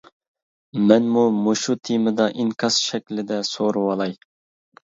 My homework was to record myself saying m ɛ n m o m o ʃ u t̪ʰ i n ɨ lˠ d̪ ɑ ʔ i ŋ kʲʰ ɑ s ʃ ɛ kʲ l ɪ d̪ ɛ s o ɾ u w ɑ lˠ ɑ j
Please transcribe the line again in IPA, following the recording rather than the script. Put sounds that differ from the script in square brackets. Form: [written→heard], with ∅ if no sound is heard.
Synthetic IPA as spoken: m ɛ n m [o→u] m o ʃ u t̪ʰ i [n→m] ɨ [lˠ→∅] d̪ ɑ ʔ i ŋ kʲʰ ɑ s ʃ ɛ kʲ l ɪ d̪ ɛ s o ɾ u w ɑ lˠ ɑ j